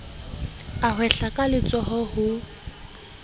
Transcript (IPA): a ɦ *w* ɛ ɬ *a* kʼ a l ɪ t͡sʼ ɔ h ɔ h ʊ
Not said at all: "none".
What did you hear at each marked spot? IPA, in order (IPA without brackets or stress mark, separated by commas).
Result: w, a